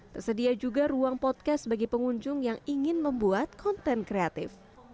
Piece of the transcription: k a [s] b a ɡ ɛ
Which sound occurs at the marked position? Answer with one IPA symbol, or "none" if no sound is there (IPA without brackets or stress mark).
s